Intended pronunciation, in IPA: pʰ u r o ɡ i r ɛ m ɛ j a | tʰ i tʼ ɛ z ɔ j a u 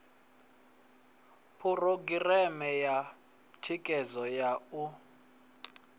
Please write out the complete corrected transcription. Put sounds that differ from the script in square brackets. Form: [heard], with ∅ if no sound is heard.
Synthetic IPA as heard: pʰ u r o ɡ i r ɛ m ɛ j a | tʰ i [kʼ] ɛ z ɔ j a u